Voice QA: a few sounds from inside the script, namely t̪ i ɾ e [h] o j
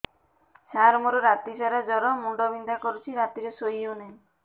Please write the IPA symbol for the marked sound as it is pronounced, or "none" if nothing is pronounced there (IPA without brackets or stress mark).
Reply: s